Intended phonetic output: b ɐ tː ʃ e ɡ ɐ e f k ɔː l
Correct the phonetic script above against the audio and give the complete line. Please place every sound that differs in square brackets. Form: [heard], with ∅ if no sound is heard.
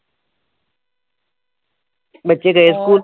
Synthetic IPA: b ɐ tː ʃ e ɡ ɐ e [s] k [uː] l